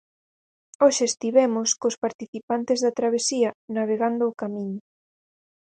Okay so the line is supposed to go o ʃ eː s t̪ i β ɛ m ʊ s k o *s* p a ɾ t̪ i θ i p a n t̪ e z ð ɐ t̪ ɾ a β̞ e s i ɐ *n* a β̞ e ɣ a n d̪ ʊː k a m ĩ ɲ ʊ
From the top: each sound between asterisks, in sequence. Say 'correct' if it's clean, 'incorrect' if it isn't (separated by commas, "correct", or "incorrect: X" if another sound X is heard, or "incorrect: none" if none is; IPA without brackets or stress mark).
correct, correct